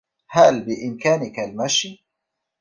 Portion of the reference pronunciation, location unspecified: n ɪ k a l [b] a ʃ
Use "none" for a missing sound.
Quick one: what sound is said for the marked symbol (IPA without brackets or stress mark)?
m